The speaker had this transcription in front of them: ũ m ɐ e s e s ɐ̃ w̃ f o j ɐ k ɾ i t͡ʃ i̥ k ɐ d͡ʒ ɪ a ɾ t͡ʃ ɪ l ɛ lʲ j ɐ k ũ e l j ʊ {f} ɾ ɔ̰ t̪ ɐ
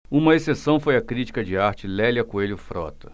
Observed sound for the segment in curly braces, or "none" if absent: f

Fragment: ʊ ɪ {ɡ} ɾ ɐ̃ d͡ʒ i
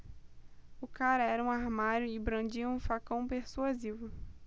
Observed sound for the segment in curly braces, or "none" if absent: b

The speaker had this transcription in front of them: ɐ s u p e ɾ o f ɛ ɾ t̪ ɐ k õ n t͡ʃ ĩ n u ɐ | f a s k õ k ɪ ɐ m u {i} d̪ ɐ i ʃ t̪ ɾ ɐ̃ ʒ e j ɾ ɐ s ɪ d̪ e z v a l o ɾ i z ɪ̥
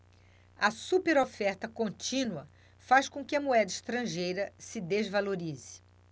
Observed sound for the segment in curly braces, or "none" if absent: ɛ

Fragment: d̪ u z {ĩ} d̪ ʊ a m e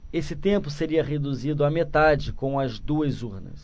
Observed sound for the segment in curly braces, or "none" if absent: i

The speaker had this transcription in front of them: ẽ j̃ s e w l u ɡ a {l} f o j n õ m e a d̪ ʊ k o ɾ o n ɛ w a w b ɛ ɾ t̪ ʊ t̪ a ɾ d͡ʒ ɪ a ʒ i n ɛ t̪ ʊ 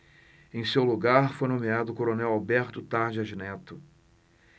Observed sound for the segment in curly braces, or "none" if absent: ɾ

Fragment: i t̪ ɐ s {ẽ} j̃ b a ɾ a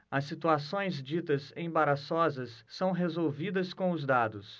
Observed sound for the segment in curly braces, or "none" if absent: ẽ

